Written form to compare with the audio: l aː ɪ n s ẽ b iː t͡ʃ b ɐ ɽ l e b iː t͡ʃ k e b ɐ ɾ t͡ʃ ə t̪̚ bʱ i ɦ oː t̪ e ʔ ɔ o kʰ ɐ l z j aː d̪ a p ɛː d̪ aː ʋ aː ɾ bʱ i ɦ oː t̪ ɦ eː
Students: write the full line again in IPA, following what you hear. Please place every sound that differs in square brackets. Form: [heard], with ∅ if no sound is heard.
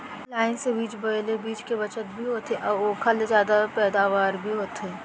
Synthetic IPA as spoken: l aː ɪ n s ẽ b iː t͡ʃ b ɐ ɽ l e b iː t͡ʃ k e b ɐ [∅] t͡ʃ ə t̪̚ bʱ i ɦ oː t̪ e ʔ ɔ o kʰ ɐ l z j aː d̪ a p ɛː d̪ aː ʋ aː ɾ bʱ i ɦ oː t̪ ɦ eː